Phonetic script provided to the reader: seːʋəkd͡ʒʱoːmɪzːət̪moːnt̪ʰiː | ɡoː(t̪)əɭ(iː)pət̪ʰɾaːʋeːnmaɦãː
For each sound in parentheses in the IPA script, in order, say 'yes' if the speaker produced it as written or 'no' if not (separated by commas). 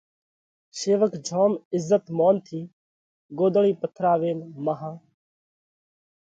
no, yes